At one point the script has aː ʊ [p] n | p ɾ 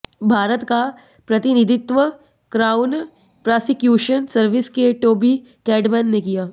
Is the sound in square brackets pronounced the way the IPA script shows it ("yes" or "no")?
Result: no